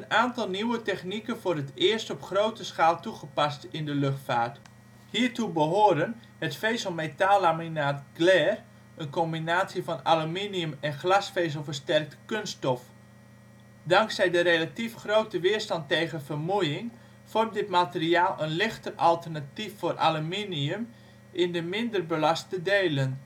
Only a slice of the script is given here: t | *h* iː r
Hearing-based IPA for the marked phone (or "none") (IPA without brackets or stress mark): h